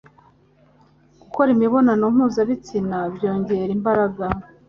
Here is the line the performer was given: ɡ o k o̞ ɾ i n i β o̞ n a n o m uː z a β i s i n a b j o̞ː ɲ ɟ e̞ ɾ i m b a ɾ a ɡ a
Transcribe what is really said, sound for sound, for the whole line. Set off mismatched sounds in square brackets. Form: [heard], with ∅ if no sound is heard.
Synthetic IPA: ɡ [u] k o̞ ɾ i [m] i β o̞ n a n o m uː z a β i [t͡s] i n a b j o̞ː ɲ ɟ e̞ ɾ i m b a ɾ a ɡ a